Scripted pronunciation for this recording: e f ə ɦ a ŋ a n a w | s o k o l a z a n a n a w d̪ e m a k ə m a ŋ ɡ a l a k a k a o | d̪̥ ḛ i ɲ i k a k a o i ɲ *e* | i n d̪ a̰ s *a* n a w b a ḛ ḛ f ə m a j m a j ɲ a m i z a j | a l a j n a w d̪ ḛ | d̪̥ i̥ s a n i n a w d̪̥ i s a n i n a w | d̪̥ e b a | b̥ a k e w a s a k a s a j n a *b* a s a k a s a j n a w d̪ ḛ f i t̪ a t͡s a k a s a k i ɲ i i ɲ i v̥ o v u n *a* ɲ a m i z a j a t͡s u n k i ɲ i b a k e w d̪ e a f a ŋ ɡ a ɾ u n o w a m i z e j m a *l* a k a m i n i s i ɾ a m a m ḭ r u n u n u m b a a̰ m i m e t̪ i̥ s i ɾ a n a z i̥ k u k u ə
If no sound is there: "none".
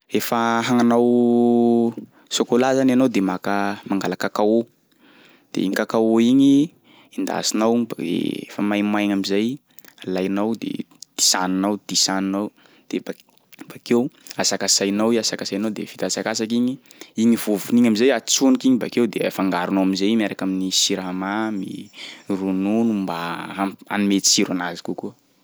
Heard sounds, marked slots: i, i, w, i, ɾ

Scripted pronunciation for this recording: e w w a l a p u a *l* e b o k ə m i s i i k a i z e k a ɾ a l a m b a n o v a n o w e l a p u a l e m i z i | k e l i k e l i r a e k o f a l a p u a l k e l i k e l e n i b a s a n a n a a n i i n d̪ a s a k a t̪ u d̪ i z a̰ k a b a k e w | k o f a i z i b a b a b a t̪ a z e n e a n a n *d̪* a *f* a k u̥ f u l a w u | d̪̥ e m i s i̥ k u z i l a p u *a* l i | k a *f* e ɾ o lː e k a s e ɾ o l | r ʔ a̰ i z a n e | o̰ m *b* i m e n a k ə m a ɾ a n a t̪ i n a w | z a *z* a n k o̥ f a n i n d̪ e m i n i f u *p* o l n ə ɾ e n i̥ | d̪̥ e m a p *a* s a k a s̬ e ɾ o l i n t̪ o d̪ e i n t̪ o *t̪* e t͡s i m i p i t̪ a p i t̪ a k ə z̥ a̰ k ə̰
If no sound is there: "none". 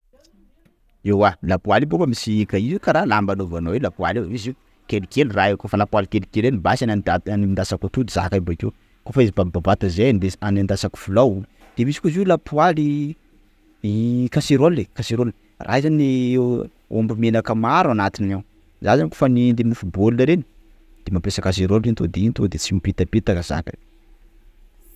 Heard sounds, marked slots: l, d̪, s, a, s, b, z, b, e, d̪

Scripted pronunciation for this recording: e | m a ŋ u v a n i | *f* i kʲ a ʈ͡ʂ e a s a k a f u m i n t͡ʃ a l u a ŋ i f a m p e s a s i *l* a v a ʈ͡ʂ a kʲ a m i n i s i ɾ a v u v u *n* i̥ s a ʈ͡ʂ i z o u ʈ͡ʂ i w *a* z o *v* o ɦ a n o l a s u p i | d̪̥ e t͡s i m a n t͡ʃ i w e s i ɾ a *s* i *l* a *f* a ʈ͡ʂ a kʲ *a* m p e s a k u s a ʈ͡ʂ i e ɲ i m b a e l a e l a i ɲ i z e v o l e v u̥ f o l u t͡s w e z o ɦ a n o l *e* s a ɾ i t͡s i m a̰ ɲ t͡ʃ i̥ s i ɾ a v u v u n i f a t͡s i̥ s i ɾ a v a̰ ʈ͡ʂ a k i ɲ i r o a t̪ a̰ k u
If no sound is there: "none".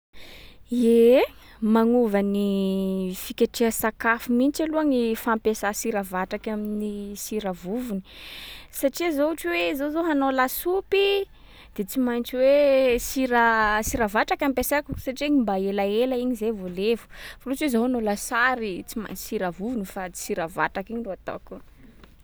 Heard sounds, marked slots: f, ɾ, n, e, z, s, ɾ, v, a, a

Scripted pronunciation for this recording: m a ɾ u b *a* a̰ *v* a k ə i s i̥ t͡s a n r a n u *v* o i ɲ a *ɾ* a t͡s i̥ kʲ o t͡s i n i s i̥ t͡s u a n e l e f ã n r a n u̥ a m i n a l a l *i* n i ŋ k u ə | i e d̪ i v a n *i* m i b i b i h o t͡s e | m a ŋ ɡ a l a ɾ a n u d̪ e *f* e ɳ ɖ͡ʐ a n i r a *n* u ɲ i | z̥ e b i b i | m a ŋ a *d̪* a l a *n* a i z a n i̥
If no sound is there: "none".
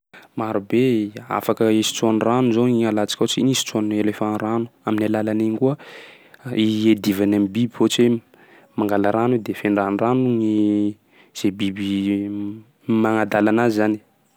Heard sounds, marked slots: e, f, z, l, a, a, f, n, d̪, n

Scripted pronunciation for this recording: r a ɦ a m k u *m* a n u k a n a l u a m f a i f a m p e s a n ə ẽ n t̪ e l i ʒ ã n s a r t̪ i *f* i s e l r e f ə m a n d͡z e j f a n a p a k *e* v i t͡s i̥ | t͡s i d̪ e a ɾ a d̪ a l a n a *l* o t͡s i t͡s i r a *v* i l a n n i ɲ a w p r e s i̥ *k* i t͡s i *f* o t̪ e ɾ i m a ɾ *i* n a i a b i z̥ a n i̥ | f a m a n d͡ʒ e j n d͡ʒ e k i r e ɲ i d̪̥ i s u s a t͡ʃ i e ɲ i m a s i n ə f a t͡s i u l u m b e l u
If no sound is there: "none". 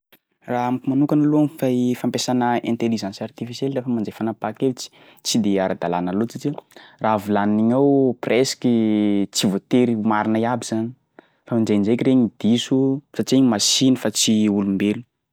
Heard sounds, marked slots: m, f, e, l, v, k, v, i

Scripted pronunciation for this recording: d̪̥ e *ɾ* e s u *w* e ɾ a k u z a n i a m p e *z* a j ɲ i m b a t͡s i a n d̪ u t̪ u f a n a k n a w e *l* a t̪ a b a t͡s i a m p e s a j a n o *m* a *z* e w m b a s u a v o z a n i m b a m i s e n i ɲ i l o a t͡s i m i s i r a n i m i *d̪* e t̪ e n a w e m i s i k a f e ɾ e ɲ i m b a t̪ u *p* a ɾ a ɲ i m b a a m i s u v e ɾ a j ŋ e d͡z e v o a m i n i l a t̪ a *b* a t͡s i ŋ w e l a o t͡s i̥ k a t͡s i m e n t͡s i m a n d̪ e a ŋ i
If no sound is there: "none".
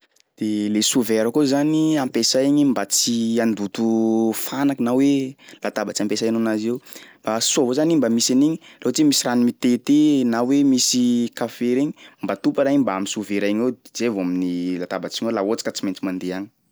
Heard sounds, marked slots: l, v, s, l, n, z, t̪, p, b

